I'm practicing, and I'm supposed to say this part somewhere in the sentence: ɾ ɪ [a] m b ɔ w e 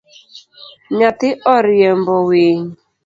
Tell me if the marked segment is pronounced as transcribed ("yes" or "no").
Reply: no